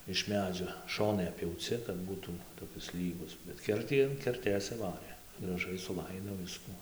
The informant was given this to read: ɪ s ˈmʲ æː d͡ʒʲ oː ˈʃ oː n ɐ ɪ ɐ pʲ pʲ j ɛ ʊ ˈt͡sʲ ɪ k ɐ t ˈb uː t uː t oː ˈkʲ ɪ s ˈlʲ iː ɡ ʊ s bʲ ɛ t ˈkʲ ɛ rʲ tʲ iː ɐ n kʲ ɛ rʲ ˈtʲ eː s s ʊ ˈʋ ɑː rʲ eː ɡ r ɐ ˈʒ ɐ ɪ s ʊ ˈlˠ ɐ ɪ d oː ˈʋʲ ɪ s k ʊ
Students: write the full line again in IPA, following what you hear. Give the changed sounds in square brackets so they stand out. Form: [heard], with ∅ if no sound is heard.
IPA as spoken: ɪ [ʃ] ˈmʲ æː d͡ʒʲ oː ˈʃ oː n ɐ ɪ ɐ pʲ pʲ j ɛ ʊ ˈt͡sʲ ɪ k ɐ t ˈb uː t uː t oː ˈkʲ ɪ s ˈlʲ iː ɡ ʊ s bʲ ɛ t ˈkʲ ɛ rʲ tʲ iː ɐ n kʲ ɛ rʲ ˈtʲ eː s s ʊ ˈʋ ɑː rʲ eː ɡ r ɐ ˈʒ ɐ ɪ s ʊ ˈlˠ ɐ ɪ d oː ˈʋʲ ɪ s k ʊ

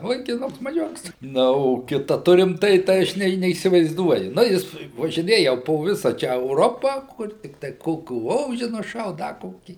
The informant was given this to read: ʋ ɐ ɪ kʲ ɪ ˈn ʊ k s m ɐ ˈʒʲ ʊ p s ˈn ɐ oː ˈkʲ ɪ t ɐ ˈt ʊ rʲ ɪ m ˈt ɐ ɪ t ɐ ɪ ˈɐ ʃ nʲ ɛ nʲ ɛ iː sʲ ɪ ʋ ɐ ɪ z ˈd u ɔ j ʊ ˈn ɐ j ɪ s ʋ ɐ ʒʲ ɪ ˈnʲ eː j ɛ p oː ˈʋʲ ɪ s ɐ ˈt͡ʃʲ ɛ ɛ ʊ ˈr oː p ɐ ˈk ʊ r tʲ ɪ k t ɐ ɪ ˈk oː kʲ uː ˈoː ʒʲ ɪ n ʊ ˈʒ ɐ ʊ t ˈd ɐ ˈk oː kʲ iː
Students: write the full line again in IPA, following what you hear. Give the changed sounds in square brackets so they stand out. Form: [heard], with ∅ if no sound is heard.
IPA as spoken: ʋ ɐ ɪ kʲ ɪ ˈn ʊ k s m ɐ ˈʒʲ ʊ [k] s ˈn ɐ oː ˈkʲ ɪ t ɐ ˈt ʊ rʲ ɪ m ˈt ɐ ɪ t ɐ ɪ ˈɐ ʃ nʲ ɛ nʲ ɛ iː sʲ ɪ ʋ ɐ ɪ z ˈd u ɔ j ʊ ˈn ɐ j ɪ s ʋ ɐ ʒʲ ɪ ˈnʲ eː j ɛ p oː ˈʋʲ ɪ s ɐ ˈt͡ʃʲ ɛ ɛ ʊ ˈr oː p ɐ ˈk ʊ r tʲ ɪ k t ɐ ɪ ˈk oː kʲ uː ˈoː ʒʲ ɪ n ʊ [ˈʃ] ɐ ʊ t ˈd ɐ ˈk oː kʲ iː

